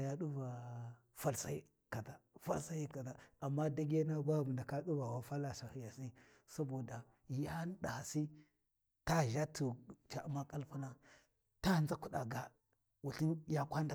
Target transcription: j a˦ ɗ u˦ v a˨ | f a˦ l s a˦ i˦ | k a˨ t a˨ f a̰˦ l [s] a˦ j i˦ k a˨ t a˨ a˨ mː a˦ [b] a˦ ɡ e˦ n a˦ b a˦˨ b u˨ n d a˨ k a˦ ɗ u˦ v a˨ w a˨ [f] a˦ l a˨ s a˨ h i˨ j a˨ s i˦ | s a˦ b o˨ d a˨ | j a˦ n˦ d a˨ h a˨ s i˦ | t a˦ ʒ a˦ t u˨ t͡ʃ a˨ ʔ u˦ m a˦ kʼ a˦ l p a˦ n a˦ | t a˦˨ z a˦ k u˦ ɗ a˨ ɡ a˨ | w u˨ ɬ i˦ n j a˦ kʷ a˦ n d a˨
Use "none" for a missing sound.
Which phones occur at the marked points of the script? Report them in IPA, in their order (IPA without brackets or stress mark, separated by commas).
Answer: s, d, f